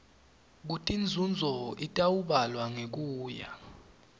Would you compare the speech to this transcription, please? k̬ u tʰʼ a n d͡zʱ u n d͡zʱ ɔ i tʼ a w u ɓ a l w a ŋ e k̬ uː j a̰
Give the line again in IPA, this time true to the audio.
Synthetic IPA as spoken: k̬ u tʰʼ i n d͡zʱ u n d͡zʱ ɔ i tʼ a w u ɓ a l w a ŋ e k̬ uː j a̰